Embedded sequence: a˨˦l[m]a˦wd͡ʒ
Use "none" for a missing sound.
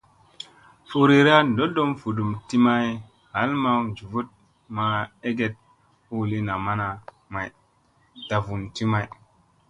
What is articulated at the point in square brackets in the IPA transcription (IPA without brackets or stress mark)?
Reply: m